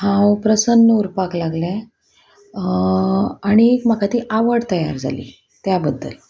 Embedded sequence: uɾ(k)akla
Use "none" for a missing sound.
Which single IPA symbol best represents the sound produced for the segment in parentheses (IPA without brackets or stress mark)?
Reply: p